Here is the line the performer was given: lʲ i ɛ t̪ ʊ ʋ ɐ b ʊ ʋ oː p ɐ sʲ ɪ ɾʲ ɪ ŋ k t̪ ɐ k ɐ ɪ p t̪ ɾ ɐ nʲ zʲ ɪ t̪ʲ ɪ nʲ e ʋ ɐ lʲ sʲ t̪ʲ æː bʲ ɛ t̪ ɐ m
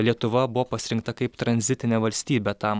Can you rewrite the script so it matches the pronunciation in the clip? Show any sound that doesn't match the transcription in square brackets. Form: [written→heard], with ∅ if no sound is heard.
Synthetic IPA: lʲ i ɛ t̪ ʊ ʋ ɐ b ʊ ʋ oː p ɐ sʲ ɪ ɾʲ ɪ ŋ k t̪ ɐ k ɐ ɪ p t̪ ɾ ɐ nʲ zʲ ɪ t̪ʲ ɪ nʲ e ʋ ɐ lʲ sʲ t̪ʲ [æː→iː] bʲ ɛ t̪ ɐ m